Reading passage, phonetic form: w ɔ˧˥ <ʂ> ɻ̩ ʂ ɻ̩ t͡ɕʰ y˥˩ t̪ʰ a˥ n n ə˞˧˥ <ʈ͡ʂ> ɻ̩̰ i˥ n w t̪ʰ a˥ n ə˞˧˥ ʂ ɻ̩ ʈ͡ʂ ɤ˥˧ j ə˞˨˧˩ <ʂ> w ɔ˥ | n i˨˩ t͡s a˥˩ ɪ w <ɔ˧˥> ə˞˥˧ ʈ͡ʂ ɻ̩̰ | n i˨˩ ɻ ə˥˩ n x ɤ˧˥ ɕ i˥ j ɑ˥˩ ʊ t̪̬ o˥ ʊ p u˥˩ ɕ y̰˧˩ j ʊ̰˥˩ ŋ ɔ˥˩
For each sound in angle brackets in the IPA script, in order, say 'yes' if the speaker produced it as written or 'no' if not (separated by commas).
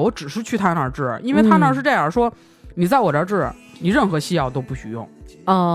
no, yes, yes, no